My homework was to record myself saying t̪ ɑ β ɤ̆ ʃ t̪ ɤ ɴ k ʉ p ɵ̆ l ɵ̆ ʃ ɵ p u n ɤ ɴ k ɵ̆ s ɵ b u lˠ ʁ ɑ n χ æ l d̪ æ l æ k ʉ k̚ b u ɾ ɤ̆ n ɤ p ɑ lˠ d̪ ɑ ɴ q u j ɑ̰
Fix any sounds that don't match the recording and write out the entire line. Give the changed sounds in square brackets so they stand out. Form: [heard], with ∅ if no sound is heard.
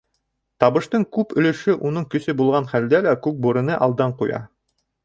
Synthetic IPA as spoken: t̪ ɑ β ɤ̆ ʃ t̪ ɤ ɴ k ʉ p ɵ̆ l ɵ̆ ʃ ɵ [ʔ] u n ɤ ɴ k ɵ̆ s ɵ b u lˠ ʁ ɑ n χ æ l d̪ æ l æ k ʉ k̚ b u ɾ ɤ̆ n ɤ [ʔ] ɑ lˠ d̪ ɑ ɴ q u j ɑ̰